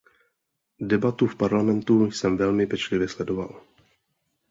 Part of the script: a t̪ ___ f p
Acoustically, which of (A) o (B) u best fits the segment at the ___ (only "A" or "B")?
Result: B